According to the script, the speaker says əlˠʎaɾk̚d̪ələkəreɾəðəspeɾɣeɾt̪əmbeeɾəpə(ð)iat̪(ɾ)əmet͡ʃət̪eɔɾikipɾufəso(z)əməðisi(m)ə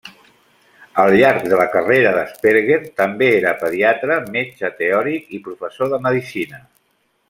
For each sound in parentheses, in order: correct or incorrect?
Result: correct, correct, incorrect, incorrect

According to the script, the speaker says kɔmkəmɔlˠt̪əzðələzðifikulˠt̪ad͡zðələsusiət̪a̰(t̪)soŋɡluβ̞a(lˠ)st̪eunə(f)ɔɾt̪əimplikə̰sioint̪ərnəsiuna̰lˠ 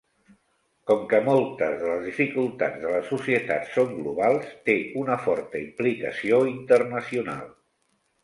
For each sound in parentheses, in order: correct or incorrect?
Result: correct, correct, correct

